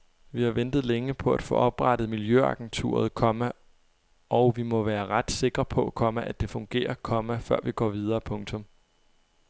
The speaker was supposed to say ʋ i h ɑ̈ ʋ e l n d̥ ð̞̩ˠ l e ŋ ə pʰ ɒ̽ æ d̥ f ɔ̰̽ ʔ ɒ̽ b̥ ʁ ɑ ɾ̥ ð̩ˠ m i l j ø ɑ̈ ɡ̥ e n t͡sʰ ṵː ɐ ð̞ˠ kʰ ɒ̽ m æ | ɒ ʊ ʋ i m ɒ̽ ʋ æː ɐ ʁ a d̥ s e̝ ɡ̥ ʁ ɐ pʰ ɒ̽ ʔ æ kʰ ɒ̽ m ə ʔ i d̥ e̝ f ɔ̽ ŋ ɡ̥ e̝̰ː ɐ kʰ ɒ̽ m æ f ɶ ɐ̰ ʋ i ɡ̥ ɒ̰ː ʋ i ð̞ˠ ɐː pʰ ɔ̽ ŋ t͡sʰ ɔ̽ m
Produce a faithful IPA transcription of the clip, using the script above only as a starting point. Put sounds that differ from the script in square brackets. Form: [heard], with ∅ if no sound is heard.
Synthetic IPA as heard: ʋ i h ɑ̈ ʋ e [∅] n d̥ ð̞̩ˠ l e ŋ ə pʰ ɒ̽ æ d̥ f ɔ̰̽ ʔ ɒ̽ b̥ ʁ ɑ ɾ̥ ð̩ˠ m i l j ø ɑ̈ ɡ̥ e n t͡sʰ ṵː ɐ ð̞ˠ kʰ ɒ̽ m æ | ɒ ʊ ʋ i m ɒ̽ ʋ æː ɐ ʁ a d̥ s e̝ ɡ̥ ʁ ɐ pʰ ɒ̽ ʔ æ kʰ ɒ̽ m ə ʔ [æ] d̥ e̝ f ɔ̽ ŋ ɡ̥ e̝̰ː ɐ kʰ ɒ̽ m æ f ɶ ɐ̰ ʋ i ɡ̥ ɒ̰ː ʋ i ð̞ˠ ɐː pʰ ɔ̽ ŋ t͡sʰ ɔ̽ m